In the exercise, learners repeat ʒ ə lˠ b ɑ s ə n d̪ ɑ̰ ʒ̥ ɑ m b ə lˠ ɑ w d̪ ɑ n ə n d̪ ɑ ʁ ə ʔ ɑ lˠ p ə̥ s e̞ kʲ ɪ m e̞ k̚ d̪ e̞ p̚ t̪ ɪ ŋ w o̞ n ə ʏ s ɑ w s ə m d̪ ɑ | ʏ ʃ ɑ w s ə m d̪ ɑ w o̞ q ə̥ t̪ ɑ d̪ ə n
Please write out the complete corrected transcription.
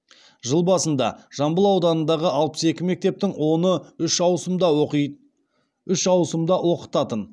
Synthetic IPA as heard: ʒ ə lˠ b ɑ s ə n d̪ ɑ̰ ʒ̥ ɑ m b ə lˠ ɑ w d̪ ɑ n ə n d̪ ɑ ʁ ə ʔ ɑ lˠ p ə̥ s e̞ kʲ ɪ m e̞ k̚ t̪ e̞ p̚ t̪ ɪ ŋ w o̞ n ə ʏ ʃ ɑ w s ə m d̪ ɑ | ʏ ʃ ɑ w s ə m d̪ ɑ w o̞ q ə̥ t̪ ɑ t̪ ə n